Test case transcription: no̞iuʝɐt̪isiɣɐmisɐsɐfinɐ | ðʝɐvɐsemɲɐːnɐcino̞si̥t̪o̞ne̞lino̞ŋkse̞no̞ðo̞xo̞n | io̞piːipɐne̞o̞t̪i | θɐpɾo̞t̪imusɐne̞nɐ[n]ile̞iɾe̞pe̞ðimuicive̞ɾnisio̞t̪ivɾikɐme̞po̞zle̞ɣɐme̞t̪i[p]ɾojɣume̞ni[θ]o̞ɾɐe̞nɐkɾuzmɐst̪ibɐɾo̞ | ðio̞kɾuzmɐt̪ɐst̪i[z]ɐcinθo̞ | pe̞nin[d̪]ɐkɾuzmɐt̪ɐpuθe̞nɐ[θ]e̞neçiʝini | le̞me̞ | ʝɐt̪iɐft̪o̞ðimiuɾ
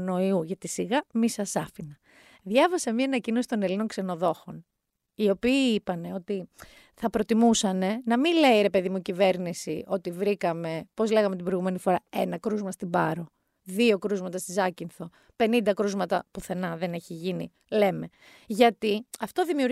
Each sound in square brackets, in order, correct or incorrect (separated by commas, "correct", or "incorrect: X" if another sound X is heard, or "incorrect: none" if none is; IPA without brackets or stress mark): incorrect: m, incorrect: b, incorrect: f, correct, correct, incorrect: ð